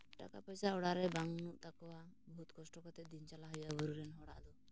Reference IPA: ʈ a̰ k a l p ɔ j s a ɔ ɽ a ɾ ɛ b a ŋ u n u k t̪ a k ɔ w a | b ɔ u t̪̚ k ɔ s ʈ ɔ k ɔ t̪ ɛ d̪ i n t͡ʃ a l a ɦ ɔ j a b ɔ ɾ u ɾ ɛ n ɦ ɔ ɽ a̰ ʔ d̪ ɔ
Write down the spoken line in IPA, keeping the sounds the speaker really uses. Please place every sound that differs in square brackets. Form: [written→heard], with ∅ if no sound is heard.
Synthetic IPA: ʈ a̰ k a [l→∅] p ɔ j s a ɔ ɽ a ɾ ɛ b a ŋ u n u [k→ʔ] t̪ a k ɔ w a | b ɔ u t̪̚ k ɔ s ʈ ɔ k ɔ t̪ ɛ d̪ i n t͡ʃ a l a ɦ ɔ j a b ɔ ɾ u ɾ ɛ n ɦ ɔ ɽ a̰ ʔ d̪ ɔ